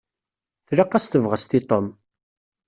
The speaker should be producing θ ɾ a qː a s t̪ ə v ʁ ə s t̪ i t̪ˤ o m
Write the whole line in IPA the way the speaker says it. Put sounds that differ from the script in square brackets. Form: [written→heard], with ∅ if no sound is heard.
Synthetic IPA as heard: θ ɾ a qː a s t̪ ə v ʁ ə s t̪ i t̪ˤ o m

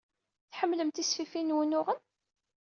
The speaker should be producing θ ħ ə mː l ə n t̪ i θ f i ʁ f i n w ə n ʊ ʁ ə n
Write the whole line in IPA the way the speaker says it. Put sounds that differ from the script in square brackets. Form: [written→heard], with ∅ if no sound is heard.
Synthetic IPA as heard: θ ħ ə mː l ə [n→m] t̪ i [θ→s] f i [ʁ→∅] f i n w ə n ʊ ʁ ə n

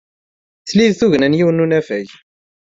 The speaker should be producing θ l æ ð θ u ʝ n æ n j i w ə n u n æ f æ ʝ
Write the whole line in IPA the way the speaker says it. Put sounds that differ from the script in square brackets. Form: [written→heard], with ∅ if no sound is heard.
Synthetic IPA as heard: θ l [æ→i] ð θ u ʝ n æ n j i w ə n u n æ f æ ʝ

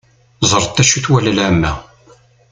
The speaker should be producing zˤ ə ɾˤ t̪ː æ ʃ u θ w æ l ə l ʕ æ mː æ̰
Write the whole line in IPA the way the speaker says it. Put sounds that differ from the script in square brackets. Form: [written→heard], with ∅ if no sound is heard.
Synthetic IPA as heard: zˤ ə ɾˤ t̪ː æ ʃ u θ w æ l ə l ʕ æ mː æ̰

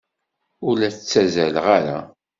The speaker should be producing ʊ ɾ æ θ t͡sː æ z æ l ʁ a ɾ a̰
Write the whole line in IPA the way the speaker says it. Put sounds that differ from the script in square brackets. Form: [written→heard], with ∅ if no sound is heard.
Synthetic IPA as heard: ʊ [ɾ→l] æ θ t͡sː æ z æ l ʁ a ɾ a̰

